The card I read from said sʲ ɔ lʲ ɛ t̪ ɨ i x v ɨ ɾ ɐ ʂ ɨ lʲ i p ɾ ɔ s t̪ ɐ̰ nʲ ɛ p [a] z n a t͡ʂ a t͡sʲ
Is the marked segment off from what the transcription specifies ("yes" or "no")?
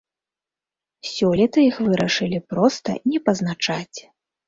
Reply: yes